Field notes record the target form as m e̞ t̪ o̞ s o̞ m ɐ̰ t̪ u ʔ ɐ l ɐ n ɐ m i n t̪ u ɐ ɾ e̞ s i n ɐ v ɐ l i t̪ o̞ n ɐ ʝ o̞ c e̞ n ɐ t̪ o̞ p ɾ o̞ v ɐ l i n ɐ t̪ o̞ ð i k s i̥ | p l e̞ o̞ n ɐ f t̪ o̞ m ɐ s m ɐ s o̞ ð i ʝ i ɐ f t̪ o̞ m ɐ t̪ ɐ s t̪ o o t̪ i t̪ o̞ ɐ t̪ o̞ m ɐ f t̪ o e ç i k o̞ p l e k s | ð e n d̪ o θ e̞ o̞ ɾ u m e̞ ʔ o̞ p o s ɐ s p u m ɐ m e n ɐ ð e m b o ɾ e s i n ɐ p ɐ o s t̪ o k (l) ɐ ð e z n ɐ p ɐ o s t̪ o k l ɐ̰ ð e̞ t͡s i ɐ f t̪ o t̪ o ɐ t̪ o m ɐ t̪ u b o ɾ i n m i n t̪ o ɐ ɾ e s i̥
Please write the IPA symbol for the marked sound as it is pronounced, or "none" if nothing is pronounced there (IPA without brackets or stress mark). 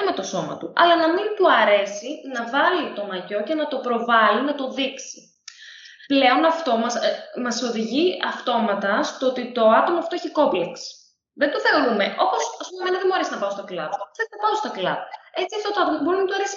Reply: l